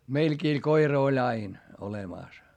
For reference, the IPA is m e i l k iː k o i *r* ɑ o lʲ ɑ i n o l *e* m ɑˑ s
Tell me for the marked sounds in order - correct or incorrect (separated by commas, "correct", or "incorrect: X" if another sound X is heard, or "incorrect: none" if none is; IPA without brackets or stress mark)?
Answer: correct, correct